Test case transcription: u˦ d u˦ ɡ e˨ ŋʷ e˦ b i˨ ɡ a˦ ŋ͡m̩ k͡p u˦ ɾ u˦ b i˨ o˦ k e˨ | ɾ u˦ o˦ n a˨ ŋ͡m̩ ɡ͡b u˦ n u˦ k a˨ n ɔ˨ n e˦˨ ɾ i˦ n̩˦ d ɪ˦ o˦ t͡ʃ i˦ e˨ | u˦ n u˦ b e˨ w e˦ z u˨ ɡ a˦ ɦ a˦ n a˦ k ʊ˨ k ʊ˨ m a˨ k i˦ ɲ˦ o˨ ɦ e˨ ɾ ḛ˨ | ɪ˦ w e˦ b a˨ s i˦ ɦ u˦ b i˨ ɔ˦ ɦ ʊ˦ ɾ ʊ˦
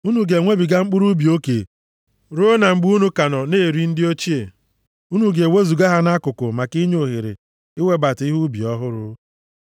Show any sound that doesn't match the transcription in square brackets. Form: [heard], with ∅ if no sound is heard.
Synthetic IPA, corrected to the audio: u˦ [n] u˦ ɡ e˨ ŋʷ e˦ b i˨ ɡ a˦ ŋ͡m̩ k͡p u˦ ɾ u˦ b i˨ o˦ k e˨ | ɾ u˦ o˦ n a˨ ŋ͡m̩ ɡ͡b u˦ n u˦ k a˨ n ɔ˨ n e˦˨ ɾ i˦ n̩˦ d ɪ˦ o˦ t͡ʃ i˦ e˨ | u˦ n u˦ [ɡ] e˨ w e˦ z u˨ ɡ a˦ ɦ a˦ n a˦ k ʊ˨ k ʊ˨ m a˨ k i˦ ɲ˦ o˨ ɦ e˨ ɾ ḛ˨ | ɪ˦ w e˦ b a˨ [t] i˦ ɦ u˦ b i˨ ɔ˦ ɦ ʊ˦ ɾ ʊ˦

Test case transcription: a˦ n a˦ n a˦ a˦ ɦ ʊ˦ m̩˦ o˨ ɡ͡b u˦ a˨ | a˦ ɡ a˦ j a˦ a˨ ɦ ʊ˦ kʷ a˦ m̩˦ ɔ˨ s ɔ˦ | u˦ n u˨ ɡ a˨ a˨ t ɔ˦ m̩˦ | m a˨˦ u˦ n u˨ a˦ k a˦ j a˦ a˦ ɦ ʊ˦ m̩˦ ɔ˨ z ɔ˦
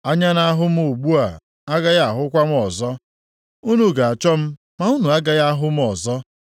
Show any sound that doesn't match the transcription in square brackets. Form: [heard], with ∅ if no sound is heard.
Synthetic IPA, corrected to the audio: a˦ [ɲ] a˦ n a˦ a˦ ɦ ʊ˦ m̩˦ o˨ ɡ͡b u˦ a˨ | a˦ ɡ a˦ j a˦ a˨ ɦ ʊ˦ kʷ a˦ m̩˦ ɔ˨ [z] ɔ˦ | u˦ n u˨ ɡ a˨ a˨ [t͡ʃ] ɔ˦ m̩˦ | m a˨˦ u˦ n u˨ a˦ [ɡ] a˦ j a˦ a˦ ɦ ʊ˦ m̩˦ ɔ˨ z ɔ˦

